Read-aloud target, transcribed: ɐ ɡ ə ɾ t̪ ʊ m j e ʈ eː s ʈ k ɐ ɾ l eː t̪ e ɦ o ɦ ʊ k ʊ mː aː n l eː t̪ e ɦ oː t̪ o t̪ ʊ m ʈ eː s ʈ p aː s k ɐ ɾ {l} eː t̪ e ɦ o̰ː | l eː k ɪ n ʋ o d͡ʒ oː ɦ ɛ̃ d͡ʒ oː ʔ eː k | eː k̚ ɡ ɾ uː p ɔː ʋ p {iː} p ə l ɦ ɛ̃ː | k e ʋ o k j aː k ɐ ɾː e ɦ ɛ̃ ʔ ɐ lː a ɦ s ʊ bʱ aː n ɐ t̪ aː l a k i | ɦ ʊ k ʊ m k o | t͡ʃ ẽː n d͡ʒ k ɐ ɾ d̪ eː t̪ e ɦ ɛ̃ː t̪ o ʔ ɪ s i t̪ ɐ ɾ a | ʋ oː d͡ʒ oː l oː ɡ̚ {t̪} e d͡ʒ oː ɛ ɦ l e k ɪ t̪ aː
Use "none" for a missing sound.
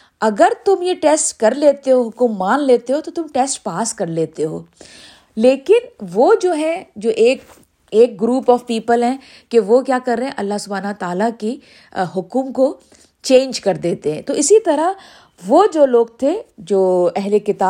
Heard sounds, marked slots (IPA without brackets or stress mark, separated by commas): l, iː, t̪ʰ